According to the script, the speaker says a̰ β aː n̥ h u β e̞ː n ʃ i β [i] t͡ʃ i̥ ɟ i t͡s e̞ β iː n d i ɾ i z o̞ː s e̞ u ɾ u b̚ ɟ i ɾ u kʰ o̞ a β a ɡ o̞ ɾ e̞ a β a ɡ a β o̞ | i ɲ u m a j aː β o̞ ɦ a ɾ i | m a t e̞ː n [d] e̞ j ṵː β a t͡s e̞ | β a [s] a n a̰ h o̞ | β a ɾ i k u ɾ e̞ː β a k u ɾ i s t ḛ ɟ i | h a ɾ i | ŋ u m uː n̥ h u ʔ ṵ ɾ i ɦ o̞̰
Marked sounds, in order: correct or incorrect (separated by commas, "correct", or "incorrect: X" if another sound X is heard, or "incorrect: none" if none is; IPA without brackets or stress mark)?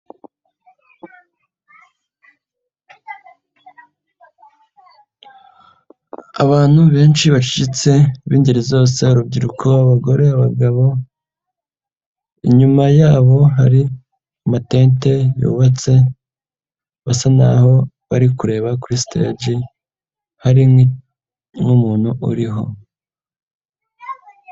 incorrect: a, incorrect: t, correct